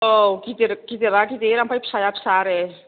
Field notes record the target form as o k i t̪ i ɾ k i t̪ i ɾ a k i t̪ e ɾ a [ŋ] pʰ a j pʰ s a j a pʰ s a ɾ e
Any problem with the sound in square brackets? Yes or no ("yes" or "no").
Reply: yes